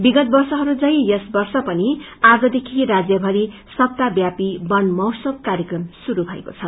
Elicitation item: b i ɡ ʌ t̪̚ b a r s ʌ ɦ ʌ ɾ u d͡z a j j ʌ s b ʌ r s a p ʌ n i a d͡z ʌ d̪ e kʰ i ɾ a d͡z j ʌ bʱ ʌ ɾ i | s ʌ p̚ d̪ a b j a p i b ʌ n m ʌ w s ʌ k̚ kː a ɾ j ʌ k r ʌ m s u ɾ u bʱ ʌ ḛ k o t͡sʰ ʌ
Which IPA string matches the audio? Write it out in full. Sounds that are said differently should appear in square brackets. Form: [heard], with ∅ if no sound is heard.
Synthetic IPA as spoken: b i ɡ ʌ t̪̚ b [ʌ] r s ʌ ɦ ʌ ɾ u d͡z [ʌ] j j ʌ s b ʌ r s [ʌ] p ʌ n i a d͡z ʌ d̪ e kʰ i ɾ a d͡z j ʌ bʱ ʌ ɾ i | s ʌ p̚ [t̪] a b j a p i b ʌ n m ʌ w s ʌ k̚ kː a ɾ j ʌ k r ʌ m s u ɾ u bʱ ʌ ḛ k o t͡sʰ ʌ